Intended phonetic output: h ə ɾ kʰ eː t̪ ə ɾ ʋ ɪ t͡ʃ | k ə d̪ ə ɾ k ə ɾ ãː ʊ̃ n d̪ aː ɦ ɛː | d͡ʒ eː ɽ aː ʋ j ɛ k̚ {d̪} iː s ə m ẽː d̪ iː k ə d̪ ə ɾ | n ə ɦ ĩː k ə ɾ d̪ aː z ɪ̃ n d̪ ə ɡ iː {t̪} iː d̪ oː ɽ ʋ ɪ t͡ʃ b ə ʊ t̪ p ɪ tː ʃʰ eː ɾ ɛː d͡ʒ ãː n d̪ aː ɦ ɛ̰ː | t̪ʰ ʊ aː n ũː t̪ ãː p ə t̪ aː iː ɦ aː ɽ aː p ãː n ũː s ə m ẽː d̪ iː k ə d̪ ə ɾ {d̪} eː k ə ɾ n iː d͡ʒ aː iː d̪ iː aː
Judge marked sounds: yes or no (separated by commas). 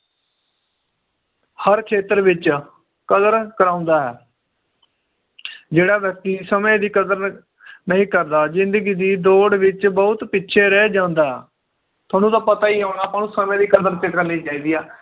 no, no, no